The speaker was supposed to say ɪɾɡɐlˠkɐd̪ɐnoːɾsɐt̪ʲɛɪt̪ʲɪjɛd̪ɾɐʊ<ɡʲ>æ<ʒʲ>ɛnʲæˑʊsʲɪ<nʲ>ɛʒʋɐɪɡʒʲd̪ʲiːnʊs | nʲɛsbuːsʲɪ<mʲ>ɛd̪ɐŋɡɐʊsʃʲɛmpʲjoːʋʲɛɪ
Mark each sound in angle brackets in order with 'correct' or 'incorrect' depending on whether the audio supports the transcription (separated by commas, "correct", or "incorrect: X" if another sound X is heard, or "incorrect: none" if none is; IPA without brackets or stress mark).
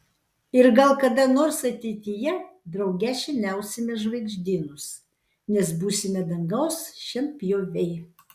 correct, incorrect: ʃʲ, incorrect: mʲ, correct